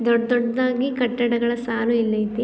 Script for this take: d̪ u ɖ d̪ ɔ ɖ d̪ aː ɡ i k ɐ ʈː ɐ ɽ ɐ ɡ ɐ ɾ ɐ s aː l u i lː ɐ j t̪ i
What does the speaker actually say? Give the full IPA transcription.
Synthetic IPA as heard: d̪ ɔ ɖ d̪ ɔ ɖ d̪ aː ɡ i k ɐ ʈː ɐ ɽ ɐ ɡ ɐ ɭ ɐ s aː l u i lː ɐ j t̪ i